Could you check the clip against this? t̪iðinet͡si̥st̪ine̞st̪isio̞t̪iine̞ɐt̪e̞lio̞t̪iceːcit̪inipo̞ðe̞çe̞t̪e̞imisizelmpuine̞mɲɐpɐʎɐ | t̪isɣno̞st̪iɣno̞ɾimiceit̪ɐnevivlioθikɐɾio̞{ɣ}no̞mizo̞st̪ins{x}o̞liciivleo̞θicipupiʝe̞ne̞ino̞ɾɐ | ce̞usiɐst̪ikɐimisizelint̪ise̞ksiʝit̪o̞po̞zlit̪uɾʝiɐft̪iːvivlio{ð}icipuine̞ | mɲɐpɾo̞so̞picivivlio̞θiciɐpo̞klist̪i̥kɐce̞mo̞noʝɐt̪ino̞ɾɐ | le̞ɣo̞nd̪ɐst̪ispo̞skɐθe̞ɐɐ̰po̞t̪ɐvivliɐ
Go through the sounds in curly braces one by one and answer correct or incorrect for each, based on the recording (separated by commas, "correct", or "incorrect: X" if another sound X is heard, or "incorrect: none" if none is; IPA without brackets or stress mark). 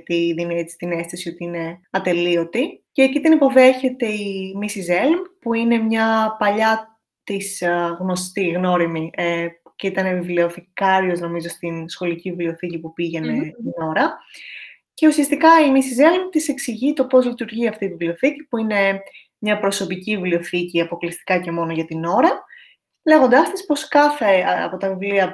incorrect: z, correct, incorrect: θ